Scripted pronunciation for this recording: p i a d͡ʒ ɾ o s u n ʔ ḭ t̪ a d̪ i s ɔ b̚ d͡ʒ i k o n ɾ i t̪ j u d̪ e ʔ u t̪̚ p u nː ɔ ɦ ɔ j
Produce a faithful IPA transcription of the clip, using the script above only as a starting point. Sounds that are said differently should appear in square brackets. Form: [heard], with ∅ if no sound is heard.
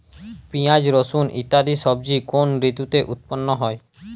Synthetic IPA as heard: p i a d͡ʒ ɾ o s u n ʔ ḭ t̪ a d̪ i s ɔ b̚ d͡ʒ i k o n ɾ i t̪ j u [t̪] e ʔ u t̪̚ p [ɔ] nː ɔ ɦ ɔ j